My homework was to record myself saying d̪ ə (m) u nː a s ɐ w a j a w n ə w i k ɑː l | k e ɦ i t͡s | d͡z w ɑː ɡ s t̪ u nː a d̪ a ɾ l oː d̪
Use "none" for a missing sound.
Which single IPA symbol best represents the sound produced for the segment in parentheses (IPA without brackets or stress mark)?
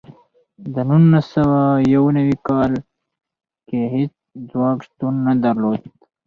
n